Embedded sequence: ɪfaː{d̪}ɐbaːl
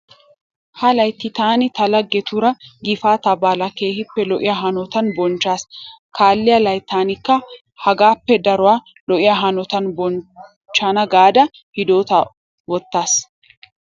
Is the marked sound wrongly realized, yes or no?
yes